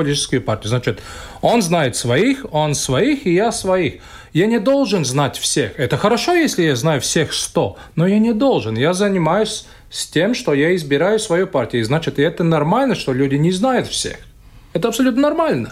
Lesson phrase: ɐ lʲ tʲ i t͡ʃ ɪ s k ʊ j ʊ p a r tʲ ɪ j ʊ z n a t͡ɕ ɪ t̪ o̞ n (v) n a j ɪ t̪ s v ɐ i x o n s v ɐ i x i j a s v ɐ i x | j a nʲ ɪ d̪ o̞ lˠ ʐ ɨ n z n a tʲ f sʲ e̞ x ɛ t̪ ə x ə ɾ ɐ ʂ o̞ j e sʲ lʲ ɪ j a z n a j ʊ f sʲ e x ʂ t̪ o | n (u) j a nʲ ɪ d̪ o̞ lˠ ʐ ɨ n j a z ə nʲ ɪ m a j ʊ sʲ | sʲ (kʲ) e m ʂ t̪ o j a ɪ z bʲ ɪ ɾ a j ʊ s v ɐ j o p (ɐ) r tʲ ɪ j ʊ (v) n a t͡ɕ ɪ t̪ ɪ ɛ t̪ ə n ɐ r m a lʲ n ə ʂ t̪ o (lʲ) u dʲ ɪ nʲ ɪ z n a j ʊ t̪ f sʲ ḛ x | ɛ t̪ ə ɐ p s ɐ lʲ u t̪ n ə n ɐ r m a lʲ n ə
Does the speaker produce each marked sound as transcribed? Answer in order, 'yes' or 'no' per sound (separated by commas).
no, no, no, no, no, yes